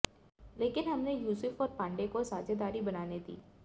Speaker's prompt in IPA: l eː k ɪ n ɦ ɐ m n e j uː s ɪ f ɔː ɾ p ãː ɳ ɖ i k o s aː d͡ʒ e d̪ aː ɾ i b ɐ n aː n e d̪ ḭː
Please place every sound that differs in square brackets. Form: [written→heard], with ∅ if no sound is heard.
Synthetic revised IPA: l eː k ɪ n ɦ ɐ m n e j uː s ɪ f ɔː ɾ p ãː ɳ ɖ [i→e] k o s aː d͡ʒ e d̪ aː ɾ i b ɐ n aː n e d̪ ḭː